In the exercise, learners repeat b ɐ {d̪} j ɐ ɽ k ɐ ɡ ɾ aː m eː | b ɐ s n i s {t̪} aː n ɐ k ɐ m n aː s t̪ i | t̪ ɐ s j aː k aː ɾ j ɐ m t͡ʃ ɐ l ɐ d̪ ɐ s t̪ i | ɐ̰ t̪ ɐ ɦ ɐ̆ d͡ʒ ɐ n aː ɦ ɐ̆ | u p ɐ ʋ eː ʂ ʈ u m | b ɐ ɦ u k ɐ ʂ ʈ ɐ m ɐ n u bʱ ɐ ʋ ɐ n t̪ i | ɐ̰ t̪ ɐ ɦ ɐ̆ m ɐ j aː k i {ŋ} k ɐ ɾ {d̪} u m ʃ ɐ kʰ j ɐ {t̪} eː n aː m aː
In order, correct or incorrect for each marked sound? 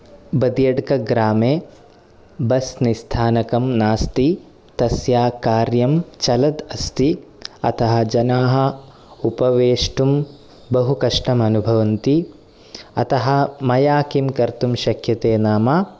correct, incorrect: t̪ʰ, incorrect: m, incorrect: t̪, correct

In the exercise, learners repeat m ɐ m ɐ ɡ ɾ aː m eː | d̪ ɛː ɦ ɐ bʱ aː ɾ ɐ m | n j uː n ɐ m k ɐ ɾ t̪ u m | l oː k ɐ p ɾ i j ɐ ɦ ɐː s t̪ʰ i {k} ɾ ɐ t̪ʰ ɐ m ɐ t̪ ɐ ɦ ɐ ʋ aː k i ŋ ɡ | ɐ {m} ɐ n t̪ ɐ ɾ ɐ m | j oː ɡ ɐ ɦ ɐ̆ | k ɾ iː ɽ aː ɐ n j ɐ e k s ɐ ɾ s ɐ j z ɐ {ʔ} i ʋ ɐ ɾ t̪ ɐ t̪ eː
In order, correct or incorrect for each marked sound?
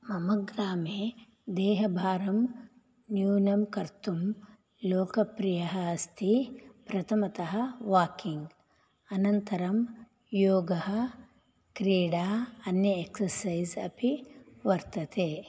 incorrect: p, incorrect: n, incorrect: p

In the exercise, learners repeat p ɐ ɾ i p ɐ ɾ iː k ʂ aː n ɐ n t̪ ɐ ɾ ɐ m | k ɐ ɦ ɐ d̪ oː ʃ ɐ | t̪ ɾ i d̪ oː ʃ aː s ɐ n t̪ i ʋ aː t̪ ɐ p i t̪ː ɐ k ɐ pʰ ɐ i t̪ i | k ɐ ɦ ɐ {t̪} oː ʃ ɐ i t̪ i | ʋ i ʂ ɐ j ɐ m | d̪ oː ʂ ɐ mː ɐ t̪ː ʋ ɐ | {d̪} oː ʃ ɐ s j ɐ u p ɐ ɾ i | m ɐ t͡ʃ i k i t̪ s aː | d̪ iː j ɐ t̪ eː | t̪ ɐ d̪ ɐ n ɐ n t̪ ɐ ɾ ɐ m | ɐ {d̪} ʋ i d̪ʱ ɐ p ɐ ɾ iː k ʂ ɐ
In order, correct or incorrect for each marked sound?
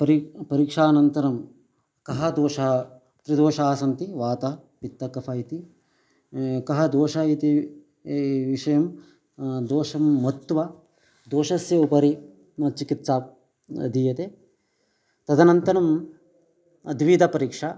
incorrect: d̪, correct, correct

